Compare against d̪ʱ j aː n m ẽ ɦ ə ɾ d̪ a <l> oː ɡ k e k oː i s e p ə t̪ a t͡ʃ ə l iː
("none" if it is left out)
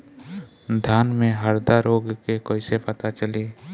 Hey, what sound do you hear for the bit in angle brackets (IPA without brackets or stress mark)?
ɾ